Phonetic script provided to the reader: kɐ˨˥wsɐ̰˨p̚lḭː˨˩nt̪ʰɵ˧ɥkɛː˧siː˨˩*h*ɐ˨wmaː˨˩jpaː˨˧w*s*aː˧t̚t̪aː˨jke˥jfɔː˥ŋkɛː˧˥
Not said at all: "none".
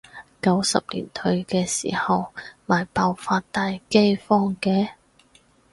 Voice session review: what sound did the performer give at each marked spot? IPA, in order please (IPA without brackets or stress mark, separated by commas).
h, f